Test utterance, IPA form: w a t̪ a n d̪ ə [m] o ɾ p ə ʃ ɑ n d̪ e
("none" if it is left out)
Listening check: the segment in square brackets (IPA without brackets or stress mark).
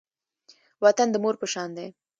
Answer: m